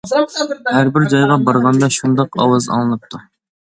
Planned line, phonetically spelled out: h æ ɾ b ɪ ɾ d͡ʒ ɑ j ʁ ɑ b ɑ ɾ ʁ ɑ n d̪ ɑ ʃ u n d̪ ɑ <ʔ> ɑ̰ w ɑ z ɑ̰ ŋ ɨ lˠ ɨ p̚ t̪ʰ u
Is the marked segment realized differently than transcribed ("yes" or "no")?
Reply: yes